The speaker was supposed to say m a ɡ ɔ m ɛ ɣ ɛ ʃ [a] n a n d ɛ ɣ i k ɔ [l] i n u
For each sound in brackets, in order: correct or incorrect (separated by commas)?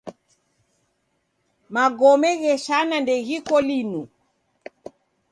correct, correct